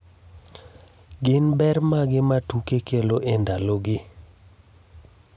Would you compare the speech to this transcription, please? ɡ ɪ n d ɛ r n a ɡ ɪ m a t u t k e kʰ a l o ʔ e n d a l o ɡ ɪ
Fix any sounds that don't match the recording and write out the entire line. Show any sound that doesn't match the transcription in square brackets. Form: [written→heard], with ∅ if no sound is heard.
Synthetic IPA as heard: ɡ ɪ n [d→b] ɛ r [n→m] a ɡ ɪ m a t u [t→∅] k e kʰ [a→e] l o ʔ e n d a l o ɡ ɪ